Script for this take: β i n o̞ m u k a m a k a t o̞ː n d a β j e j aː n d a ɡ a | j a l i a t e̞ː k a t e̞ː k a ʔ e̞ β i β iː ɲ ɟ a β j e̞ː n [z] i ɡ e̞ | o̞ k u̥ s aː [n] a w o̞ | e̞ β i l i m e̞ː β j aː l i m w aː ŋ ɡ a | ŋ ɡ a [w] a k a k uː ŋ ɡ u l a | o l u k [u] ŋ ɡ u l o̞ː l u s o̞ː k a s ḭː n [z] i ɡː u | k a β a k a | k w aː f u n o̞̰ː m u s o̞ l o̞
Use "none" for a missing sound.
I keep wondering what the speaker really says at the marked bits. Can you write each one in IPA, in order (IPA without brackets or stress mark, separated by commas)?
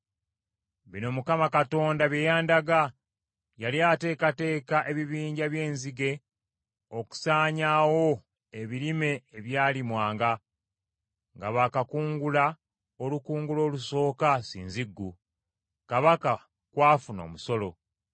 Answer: z, ɲ, β, uː, z